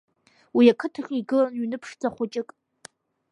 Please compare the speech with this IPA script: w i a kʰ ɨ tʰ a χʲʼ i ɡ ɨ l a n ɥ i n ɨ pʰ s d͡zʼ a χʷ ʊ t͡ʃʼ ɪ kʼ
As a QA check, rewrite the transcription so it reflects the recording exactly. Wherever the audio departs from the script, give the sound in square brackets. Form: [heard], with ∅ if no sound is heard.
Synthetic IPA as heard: w i a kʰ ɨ tʰ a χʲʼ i ɡ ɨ l a n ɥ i n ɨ pʰ [ʂ] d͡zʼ a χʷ ʊ t͡ʃʼ ɪ kʼ